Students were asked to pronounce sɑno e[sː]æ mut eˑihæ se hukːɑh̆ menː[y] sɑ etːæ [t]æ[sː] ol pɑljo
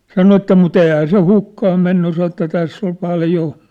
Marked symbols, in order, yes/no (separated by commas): no, yes, yes, yes